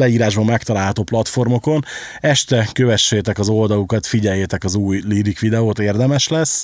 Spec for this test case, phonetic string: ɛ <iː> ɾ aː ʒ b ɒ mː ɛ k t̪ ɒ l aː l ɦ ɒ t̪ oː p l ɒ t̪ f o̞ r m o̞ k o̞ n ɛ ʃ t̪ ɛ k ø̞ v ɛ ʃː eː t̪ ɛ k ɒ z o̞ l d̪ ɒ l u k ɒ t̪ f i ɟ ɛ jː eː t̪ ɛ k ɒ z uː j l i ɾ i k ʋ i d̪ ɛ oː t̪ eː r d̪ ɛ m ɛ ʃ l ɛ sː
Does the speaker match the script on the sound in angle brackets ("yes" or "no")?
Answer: yes